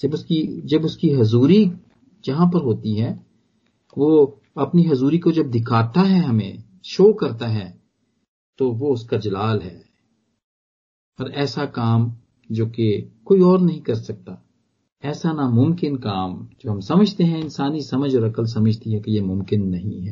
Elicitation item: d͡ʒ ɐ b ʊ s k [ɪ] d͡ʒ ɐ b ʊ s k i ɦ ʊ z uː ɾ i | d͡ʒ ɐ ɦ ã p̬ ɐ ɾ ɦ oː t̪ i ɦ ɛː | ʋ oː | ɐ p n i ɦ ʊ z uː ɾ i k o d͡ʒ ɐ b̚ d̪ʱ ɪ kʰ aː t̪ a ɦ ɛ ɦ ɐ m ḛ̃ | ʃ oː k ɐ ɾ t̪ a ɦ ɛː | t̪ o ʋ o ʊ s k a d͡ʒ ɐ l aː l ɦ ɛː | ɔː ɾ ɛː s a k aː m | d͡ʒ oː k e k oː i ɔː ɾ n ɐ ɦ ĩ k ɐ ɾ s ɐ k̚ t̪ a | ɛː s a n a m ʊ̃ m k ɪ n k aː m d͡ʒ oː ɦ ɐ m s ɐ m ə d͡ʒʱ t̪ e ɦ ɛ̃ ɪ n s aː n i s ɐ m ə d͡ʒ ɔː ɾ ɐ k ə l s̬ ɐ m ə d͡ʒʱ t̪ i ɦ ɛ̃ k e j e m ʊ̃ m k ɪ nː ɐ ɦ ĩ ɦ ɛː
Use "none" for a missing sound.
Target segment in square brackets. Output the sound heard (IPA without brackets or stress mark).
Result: i